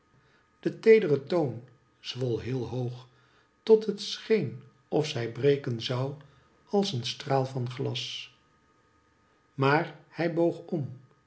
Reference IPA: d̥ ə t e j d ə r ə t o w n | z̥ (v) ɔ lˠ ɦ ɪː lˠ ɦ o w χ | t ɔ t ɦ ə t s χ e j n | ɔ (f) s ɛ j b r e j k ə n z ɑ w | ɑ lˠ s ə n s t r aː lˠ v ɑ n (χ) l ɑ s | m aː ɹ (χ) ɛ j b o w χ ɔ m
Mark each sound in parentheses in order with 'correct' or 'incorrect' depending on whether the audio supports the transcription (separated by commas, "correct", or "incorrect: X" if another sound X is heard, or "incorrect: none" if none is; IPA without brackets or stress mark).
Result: incorrect: ʋ, correct, correct, incorrect: h